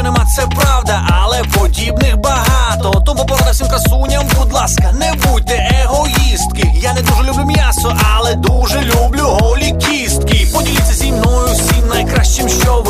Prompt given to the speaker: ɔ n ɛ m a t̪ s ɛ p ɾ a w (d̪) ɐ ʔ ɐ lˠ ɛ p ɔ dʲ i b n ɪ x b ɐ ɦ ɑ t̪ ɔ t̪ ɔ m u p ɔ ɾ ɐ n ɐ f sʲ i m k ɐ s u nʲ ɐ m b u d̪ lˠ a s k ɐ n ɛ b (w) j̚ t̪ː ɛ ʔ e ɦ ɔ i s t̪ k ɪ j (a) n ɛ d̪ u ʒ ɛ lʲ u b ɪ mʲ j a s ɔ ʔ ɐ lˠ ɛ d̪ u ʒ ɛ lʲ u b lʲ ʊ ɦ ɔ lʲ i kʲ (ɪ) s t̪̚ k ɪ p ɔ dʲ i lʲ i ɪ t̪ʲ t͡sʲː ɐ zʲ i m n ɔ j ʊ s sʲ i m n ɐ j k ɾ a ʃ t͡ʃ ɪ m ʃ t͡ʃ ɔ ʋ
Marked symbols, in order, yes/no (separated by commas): yes, no, yes, no